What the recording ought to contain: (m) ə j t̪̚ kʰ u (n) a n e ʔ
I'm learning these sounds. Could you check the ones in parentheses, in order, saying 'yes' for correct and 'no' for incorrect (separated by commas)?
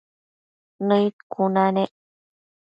no, yes